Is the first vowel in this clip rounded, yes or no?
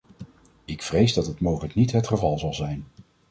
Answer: no